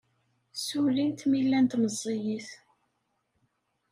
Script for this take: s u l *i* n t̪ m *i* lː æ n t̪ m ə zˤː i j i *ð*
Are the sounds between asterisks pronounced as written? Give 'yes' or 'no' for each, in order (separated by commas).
yes, yes, no